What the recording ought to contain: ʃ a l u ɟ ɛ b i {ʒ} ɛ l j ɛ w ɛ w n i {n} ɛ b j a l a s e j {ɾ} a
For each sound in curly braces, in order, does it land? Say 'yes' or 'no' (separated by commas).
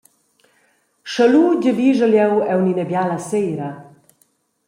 yes, yes, yes